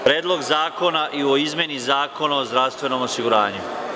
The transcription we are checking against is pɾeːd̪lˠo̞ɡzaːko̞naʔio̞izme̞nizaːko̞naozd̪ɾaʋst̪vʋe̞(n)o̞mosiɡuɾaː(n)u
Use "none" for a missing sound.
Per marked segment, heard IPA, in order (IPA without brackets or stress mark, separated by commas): n, ɲ